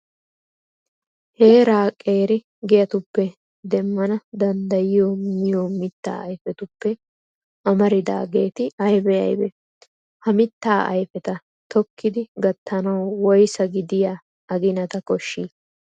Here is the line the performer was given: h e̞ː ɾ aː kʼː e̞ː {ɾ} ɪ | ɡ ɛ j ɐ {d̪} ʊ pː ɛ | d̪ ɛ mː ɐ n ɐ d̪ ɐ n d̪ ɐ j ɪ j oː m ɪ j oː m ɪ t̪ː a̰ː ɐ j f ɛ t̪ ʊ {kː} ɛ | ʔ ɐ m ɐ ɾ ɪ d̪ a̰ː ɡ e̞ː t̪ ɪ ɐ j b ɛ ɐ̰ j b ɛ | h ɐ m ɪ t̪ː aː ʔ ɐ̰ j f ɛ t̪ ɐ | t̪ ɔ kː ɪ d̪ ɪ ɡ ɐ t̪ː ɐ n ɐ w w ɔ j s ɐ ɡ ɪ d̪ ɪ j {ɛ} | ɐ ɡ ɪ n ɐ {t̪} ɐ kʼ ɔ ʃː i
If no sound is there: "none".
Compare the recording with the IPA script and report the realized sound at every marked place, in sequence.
ɾ, t̪, pː, a, t̪

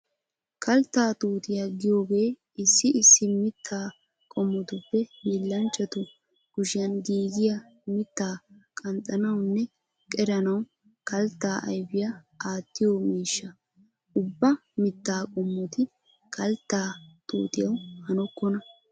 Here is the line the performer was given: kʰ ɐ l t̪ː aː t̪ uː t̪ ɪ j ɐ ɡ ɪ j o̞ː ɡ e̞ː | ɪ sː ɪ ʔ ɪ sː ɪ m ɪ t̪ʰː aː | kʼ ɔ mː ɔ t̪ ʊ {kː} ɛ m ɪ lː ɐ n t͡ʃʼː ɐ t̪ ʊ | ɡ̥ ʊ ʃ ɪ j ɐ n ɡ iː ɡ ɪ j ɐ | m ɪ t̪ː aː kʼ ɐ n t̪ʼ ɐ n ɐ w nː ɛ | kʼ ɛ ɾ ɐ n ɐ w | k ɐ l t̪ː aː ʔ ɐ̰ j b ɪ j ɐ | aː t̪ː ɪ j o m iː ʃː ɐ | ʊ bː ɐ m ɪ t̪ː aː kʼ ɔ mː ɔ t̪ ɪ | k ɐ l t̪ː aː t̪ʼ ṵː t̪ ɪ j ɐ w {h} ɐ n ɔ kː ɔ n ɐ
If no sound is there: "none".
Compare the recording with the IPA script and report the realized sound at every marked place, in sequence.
pː, h

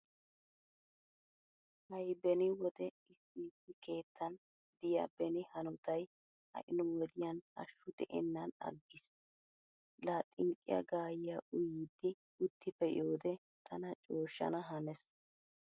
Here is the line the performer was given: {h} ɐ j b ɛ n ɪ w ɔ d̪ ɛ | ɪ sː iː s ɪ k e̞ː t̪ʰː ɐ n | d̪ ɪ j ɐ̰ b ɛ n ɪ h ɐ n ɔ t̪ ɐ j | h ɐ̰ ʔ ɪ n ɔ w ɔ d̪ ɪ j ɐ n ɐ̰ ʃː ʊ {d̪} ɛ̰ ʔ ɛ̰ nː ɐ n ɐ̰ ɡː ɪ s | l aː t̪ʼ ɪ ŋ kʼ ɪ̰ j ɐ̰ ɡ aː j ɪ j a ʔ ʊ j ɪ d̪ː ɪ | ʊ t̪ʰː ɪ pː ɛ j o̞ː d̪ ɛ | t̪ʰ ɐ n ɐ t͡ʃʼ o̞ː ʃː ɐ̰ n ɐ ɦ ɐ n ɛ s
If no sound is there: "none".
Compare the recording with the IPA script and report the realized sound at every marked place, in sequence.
h, d̪

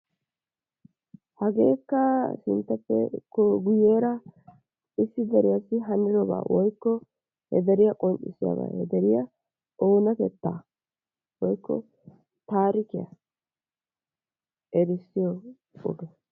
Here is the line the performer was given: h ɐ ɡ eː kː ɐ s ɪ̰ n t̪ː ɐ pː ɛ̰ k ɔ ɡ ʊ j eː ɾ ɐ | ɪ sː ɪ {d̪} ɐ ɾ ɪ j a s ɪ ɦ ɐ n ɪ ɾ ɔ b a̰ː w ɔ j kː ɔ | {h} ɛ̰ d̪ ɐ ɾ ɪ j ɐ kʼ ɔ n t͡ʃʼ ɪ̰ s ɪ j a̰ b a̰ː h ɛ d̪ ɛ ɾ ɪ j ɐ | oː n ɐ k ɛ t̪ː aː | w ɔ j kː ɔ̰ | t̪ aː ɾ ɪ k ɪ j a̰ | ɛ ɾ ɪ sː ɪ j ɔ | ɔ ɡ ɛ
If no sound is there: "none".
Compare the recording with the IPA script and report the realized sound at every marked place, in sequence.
d̪, h

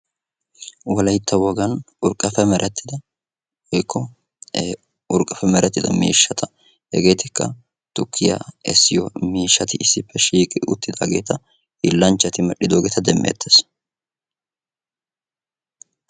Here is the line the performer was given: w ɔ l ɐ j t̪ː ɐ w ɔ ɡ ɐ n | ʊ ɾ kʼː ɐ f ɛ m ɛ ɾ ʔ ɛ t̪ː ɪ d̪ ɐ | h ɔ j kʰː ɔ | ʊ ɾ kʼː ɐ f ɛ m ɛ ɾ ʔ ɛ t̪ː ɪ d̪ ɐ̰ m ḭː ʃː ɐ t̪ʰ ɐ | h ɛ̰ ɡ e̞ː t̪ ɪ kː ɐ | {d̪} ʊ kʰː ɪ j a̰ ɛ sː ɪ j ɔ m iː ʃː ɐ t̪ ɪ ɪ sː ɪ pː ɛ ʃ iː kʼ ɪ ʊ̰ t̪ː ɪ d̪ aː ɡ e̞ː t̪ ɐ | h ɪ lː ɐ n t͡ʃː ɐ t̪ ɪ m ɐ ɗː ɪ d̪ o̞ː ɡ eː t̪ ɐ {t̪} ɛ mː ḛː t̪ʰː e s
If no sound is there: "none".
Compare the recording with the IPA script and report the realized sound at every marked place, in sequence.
t̪, d̪

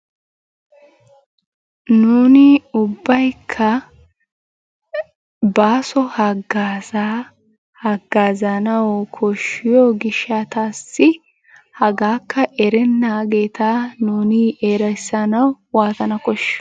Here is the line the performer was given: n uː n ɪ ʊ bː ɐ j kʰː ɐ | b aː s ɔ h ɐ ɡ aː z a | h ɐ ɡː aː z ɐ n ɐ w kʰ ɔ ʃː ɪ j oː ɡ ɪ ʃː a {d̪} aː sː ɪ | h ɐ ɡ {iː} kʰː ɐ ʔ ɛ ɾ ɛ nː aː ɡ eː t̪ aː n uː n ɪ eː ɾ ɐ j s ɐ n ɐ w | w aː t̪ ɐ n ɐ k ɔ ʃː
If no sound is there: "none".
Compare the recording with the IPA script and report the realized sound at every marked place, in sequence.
t̪, aː

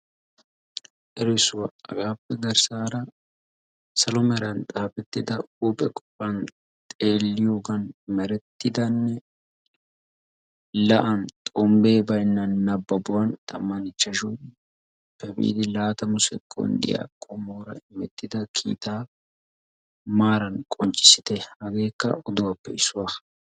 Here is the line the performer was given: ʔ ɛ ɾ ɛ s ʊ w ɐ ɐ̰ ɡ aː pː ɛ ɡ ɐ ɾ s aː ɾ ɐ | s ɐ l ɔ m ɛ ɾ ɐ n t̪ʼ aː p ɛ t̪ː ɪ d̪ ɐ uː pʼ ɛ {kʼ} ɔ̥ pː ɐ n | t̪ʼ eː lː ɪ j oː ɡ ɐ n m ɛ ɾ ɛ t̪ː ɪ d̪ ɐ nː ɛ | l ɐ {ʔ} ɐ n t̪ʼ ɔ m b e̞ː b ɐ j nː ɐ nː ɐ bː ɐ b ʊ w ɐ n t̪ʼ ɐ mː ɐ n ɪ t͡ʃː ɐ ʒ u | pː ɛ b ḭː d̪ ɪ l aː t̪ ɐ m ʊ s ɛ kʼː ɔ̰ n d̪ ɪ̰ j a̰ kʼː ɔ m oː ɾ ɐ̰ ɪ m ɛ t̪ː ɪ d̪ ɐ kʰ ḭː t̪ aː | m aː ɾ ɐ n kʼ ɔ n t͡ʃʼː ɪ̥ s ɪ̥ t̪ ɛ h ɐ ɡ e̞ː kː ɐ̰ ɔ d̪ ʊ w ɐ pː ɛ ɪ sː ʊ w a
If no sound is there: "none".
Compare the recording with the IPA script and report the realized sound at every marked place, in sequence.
kʼ, ʔ

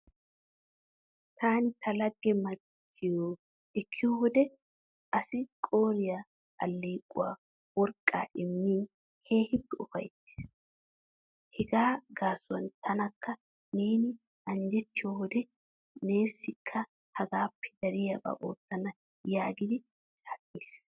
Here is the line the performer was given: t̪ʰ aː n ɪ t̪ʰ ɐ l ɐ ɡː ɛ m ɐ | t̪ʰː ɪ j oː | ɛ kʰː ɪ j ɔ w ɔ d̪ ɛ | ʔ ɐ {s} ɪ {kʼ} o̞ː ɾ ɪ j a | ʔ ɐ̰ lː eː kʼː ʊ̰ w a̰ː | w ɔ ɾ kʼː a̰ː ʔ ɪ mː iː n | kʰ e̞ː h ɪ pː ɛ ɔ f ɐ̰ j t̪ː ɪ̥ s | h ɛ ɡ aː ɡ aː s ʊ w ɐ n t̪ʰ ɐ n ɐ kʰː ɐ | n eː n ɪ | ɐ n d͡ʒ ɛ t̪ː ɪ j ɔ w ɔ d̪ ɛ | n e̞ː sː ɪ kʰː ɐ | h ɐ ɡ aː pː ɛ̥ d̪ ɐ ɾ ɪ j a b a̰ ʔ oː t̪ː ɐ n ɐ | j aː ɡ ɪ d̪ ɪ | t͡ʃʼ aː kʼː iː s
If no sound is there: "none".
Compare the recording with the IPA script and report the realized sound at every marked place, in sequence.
s, kʼ

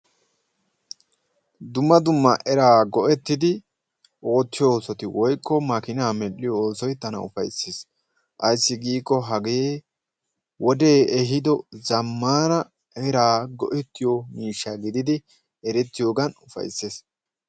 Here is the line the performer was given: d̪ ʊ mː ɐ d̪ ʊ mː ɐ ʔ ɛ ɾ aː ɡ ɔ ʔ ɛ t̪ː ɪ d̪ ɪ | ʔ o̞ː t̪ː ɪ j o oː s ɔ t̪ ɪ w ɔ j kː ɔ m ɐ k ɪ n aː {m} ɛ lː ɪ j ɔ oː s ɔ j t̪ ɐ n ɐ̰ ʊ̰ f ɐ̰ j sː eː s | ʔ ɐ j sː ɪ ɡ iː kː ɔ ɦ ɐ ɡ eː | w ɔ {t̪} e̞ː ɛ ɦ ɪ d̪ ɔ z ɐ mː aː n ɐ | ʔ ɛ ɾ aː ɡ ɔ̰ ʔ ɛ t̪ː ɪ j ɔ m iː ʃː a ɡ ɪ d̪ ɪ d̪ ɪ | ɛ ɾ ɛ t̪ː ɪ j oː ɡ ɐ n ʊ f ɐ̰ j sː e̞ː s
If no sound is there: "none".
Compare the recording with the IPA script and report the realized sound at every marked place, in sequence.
m, d̪

